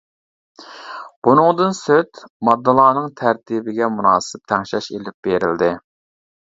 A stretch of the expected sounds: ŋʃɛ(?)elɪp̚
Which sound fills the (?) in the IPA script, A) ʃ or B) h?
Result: A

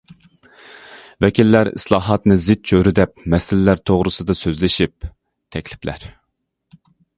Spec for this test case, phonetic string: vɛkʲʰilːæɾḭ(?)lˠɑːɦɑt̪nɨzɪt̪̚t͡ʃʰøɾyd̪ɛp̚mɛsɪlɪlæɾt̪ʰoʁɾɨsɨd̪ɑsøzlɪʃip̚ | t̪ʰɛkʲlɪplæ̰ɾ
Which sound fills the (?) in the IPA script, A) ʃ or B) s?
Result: B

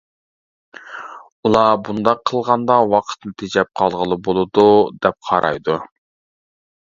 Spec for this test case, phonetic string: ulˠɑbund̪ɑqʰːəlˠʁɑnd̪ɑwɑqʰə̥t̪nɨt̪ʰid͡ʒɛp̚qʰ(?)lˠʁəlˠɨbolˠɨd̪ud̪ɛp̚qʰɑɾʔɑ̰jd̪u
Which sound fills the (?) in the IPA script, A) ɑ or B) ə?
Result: A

